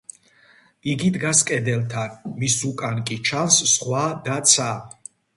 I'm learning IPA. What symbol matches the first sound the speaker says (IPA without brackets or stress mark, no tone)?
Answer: i